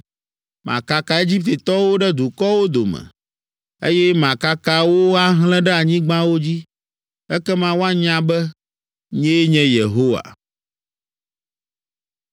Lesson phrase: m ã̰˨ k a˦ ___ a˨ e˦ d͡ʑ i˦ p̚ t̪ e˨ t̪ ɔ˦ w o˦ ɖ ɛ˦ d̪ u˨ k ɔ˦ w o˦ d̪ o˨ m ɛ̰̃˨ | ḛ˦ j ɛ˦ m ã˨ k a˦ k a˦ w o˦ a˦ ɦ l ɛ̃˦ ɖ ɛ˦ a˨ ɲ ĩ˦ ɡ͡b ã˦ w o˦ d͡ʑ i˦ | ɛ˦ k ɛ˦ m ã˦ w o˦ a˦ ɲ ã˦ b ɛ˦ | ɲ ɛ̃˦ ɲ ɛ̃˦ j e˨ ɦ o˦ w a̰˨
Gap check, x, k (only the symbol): k